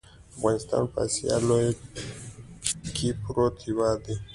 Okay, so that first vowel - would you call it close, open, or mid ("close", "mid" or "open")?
open